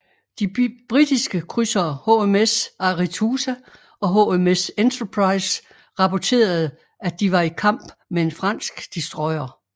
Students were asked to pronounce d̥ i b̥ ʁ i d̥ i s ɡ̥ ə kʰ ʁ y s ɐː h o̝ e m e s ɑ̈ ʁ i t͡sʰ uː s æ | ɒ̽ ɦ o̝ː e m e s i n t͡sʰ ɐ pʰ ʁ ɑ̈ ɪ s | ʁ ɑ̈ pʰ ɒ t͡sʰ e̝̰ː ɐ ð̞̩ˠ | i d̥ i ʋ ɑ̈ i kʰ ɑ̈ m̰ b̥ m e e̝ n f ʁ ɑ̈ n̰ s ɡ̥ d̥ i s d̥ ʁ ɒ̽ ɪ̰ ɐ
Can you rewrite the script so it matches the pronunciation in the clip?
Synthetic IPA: d̥ i b̥ ʁ i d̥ i s ɡ̥ ə kʰ ʁ y s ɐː h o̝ e m e s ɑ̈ ʁ i t͡sʰ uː s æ | ɒ̽ ɦ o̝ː e m e s e n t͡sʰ ɐ pʰ ʁ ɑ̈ ɪ s | ʁ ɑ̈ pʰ ɒ t͡sʰ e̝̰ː ɐ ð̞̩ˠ | æ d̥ i ʋ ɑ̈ i kʰ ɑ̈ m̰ b̥ m e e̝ n f ʁ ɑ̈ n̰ s ɡ̥ d̥ i s d̥ ʁ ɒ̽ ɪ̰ ɐ